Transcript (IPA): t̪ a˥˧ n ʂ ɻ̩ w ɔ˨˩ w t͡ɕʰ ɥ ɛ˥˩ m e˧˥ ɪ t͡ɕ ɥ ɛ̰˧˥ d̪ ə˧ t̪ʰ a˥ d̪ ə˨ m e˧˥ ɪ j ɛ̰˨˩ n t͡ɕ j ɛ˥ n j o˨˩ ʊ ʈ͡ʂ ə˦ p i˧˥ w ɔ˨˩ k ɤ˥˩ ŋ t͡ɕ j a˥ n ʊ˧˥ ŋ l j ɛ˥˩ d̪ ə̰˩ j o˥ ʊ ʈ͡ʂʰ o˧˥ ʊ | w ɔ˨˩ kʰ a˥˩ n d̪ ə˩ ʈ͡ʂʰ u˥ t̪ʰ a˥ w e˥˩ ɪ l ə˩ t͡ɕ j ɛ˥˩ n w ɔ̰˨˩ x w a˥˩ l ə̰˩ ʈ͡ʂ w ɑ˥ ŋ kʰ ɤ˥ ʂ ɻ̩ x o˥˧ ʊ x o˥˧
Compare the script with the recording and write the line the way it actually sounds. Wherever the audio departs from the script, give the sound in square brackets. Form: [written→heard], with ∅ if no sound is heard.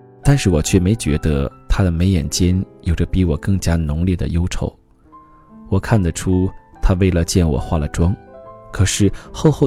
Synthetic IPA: t̪ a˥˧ n ʂ ɻ̩ w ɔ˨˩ [w→∅] t͡ɕʰ ɥ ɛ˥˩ m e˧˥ ɪ t͡ɕ ɥ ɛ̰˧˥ d̪ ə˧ t̪ʰ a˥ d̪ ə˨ m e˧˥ ɪ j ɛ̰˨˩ n t͡ɕ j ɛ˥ n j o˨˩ ʊ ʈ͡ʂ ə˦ p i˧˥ w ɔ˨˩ k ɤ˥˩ ŋ t͡ɕ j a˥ n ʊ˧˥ ŋ l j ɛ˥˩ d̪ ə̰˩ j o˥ ʊ ʈ͡ʂʰ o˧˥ ʊ | w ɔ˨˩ kʰ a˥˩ n d̪ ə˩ ʈ͡ʂʰ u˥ t̪ʰ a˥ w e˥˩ ɪ l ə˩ t͡ɕ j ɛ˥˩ n w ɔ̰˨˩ x w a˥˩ l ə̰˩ ʈ͡ʂ w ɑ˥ ŋ kʰ [ɤ˥→ɤ˨˩] ʂ ɻ̩ x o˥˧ ʊ x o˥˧